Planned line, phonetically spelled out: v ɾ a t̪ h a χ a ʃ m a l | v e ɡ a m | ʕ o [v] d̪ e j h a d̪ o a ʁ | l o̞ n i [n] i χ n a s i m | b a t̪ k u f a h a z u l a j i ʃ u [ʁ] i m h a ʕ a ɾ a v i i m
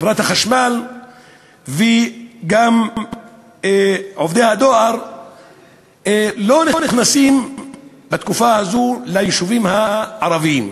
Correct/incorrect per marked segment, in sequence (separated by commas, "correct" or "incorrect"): correct, correct, incorrect